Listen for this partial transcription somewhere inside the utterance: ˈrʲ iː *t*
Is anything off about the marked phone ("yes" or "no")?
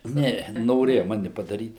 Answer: no